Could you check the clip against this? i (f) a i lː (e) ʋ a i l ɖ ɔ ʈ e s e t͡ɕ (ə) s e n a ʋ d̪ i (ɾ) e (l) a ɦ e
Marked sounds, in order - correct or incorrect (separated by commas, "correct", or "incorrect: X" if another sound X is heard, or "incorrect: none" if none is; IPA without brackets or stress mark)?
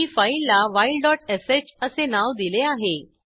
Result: correct, incorrect: a, correct, incorrect: l, incorrect: none